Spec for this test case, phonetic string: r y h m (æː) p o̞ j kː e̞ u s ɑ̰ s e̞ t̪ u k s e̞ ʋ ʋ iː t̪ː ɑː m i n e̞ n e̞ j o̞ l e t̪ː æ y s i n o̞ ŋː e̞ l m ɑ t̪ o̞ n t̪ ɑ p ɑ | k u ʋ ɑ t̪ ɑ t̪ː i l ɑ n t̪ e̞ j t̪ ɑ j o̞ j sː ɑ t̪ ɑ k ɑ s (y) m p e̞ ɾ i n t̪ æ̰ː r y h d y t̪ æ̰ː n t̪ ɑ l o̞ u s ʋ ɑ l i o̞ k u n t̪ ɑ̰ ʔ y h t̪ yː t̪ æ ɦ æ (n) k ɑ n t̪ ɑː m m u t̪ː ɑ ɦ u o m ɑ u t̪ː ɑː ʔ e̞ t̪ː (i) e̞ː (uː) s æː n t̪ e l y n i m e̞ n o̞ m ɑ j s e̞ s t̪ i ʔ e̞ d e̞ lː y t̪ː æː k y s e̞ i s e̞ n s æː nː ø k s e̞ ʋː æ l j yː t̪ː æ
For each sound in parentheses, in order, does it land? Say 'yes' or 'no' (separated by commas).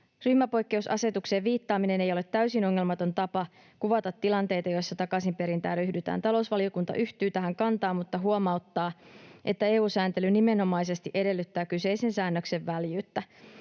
no, no, no, no, yes